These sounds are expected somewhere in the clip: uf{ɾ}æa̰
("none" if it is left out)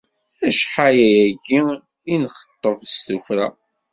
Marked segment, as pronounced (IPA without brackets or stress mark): ɾ